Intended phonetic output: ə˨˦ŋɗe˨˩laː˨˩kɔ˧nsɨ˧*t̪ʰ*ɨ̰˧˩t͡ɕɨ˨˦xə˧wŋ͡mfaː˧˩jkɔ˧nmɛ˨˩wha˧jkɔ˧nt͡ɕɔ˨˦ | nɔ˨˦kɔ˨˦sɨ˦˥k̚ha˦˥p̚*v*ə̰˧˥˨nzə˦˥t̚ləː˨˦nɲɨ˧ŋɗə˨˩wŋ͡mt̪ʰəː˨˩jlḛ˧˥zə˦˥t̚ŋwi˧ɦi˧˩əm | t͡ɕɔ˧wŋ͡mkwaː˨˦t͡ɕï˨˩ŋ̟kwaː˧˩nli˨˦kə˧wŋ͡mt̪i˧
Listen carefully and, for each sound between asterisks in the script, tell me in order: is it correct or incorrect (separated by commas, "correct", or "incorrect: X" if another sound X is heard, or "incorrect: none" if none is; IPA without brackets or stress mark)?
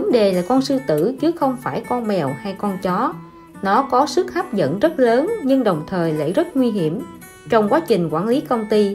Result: incorrect: t̪, incorrect: z